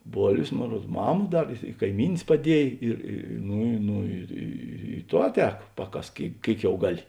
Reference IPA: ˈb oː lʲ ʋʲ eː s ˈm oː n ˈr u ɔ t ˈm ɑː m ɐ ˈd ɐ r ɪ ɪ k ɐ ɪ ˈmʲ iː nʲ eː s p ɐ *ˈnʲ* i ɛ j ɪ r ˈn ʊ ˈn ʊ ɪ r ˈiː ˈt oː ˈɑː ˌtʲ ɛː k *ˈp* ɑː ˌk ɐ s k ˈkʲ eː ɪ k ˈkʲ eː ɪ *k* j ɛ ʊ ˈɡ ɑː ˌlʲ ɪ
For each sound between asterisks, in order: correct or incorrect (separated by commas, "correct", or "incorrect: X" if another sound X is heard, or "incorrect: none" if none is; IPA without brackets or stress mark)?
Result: incorrect: dʲ, correct, correct